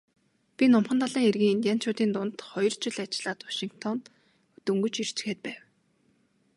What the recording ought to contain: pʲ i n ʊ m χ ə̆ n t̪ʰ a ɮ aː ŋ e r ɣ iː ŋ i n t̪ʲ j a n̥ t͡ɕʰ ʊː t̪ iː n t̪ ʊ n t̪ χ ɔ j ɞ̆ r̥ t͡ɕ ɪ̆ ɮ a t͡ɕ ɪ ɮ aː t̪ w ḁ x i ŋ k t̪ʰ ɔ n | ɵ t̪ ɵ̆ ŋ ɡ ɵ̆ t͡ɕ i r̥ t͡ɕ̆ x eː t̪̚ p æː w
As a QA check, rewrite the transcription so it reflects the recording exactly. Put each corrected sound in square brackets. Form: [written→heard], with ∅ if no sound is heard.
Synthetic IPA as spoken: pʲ i n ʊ m χ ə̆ n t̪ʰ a ɮ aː ŋ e r ɣ iː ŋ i n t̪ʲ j a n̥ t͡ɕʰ ʊː t̪ iː n t̪ ʊ n t̪ χ ɔ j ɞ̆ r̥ t͡ɕ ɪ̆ ɮ a t͡ɕ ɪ ɮ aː t̪ w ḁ [x→ʃ] i ŋ k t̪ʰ ɔ n | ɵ t̪ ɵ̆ ŋ ɡ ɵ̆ t͡ɕ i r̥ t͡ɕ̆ x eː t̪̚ p æː w